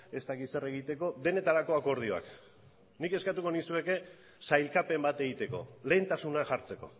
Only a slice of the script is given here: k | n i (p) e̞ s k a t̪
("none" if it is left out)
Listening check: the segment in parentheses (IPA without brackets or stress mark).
k